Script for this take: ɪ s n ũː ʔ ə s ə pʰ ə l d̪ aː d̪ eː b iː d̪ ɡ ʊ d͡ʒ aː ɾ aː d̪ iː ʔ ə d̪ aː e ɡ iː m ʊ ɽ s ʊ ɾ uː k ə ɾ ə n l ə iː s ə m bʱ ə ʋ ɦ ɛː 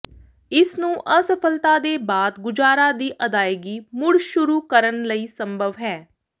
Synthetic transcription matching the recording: ɪ s n ũː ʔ ə s ə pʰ ə l t̪ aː d̪ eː b aː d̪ ɡ ʊ d͡ʒ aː ɾ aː d̪ iː ʔ ə d̪ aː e ɡ iː m ʊ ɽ ʃ ʊ ɾ uː k ə ɾ ə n l ə iː s ə m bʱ ə ʋ ɦ ɛː

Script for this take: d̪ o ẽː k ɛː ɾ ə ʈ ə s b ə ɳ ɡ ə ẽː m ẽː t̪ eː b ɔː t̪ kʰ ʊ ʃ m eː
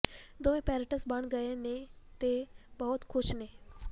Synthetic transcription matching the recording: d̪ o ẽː p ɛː ɾ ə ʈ ə s b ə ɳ ɡ ə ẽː n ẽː t̪ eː b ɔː t̪ kʰ ʊ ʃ n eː

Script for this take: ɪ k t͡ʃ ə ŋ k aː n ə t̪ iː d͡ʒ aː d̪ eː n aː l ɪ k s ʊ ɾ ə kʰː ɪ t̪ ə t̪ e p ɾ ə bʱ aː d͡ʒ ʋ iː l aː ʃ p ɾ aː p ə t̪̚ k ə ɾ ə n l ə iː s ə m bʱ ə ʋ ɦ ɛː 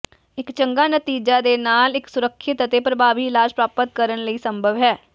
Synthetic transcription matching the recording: ɪ k t͡ʃ ə ŋ ɡ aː n ə t̪ iː d͡ʒ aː d̪ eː n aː l ɪ k s ʊ ɾ ə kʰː ɪ t̪ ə t̪ e p ɾ ə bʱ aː ʋ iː l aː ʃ p ɾ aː p ə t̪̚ k ə ɾ ə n l ə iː s ə m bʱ ə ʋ ɦ ɛː

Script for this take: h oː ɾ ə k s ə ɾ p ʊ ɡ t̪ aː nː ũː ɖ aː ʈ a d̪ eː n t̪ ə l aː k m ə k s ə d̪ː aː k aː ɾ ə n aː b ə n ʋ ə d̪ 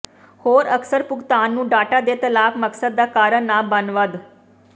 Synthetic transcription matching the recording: h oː ɾ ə k s ə ɾ p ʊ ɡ t̪ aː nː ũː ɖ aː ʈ a d̪ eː t̪ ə l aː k m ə k s ə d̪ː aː k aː ɾ ə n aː b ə n ʋ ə d̪

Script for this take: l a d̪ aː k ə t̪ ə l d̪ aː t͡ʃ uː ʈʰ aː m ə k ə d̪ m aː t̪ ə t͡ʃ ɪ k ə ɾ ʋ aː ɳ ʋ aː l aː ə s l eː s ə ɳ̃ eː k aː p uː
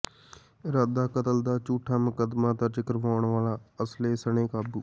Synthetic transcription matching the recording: ɾ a d̪ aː k ə t̪ ə l d̪ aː t͡ʃ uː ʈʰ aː m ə k ə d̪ m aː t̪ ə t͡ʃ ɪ k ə ɾ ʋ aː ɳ ʋ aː l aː ə s l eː s ə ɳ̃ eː k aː b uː

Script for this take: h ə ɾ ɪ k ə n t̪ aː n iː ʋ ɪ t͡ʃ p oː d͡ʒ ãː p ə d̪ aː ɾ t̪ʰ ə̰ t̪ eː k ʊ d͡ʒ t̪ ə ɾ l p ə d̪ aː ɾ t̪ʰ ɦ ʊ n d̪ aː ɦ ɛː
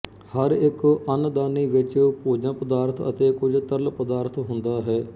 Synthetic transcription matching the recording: h ə ɾ ɪ k ə n d̪ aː n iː ʋ ɪ t͡ʃ p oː d͡ʒ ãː p ə d̪ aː ɾ t̪ʰ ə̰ t̪ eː k ʊ d͡ʒ t̪ ə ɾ l p ə d̪ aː ɾ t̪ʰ ɦ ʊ n d̪ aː ɦ ɛː

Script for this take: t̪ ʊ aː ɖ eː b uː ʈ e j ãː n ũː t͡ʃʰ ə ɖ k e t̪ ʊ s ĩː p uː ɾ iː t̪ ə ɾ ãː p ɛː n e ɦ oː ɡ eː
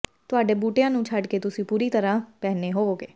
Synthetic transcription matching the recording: t̪ ʊ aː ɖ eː b uː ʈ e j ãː n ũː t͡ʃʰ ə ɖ k e t̪ ʊ s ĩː p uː ɾ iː t̪ ə ɾ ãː p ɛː n e ɦ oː ɡ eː

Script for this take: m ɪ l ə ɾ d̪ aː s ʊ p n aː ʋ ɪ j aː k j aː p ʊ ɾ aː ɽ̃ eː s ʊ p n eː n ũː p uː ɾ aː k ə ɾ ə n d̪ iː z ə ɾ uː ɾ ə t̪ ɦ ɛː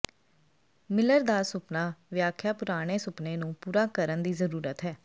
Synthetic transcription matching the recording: m ɪ l ə ɾ d̪ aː s ʊ p n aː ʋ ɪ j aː kʰ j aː p ʊ ɾ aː ɽ̃ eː s ʊ p n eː n ũː p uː ɾ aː k ə ɾ ə n d̪ iː z ə ɾ uː ɾ ə t̪ ɦ ɛː

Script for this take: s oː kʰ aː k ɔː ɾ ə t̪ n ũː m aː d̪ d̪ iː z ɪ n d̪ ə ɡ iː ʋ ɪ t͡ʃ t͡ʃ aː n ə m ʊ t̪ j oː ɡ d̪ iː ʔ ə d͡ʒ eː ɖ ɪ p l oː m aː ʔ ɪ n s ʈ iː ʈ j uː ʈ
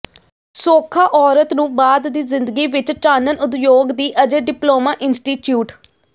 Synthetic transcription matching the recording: s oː kʰ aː ʔ ɔː ɾ ə t̪ n ũː b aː d̪ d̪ iː z ɪ n d̪ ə ɡ iː ʋ ɪ t͡ʃ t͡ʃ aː n ə n ʊ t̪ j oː ɡ d̪ iː ʔ ə d͡ʒ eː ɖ ɪ p l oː m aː ʔ ɪ n s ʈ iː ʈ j uː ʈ

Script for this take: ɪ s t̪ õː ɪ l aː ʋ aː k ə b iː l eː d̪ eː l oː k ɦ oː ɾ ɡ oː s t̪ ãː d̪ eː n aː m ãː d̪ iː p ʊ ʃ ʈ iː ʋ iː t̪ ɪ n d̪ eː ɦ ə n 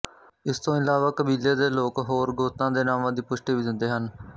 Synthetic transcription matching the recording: ɪ s t̪ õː ɪ l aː ʋ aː k ə b iː l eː d̪ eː l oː k ɦ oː ɾ ɡ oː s t̪ ãː d̪ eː n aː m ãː d̪ iː p ʊ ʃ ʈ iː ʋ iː d̪ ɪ n d̪ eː ɦ ə n

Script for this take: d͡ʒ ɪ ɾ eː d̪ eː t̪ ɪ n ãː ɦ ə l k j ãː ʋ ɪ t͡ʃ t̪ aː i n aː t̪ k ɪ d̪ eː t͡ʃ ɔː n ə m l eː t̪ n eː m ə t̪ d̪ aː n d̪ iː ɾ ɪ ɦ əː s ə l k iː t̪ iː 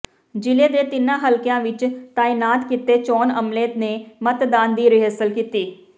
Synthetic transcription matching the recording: d͡ʒ ɪ l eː d̪ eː t̪ ɪ n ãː ɦ ə l k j ãː ʋ ɪ t͡ʃ t̪ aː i n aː t̪ k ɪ t̪ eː t͡ʃ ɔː n ə m l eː t̪ n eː m ə t̪ d̪ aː n d̪ iː ɾ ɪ ɦ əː s ə l k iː t̪ iː

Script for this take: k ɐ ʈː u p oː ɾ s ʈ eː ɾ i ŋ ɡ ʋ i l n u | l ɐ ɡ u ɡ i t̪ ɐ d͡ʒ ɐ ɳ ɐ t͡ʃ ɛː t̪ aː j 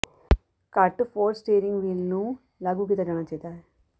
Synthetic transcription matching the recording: k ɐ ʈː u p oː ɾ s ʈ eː ɾ i ŋ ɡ ʋ i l n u | l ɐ ɡ u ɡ i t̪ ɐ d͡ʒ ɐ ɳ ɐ t͡ʃ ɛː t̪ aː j

